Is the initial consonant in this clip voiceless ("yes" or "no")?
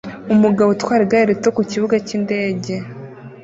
no